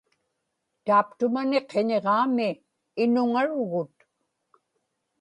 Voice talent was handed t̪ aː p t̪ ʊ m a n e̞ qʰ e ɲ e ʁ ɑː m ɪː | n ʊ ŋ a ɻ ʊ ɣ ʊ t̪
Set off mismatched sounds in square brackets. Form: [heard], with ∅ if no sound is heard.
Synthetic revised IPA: t̪ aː p t̪ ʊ m a n e̞ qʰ e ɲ e ʁ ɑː m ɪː | n ʊ ŋ a ɻ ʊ ɣ ʊ t̪